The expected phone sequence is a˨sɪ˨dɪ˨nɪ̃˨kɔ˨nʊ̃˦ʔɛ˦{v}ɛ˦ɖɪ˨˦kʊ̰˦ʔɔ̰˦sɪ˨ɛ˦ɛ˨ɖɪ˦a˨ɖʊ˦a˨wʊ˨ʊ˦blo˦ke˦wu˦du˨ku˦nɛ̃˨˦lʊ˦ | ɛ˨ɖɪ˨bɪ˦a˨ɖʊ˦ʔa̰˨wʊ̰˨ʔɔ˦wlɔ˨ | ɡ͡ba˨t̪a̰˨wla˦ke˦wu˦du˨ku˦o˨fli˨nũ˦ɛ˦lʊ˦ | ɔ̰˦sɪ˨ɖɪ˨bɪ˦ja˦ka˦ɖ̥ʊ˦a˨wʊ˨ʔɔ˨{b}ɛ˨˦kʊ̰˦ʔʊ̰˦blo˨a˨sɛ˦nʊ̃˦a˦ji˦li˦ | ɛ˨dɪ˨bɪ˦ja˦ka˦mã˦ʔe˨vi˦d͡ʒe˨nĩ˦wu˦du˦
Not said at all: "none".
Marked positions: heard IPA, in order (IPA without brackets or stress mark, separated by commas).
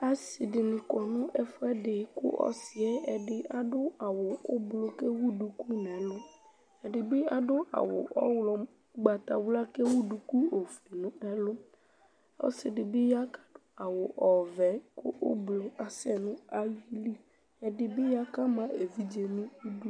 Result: f, v